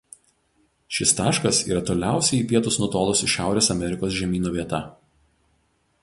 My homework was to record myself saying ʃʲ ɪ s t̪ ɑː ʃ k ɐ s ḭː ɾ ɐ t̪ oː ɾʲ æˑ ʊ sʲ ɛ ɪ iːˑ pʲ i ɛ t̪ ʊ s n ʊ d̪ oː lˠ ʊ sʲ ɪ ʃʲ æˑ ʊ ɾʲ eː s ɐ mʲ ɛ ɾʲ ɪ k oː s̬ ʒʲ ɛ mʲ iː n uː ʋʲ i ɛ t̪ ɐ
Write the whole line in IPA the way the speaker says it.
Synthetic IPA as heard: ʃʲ ɪ s t̪ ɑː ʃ k ɐ s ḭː ɾ ɐ t̪ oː lʲ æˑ ʊ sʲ ɛ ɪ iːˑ pʲ i ɛ t̪ ʊ s n ʊ t̪ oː lˠ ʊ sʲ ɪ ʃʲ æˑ ʊ ɾʲ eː s ɐ mʲ ɛ ɾʲ ɪ k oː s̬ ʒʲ ɛ mʲ iː n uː ʋʲ i ɛ t̪ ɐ